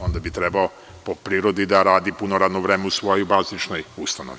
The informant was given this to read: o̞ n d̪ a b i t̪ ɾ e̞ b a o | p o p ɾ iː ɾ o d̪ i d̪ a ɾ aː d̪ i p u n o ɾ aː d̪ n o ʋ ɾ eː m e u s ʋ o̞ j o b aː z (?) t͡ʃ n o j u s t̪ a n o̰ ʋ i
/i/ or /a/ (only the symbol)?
i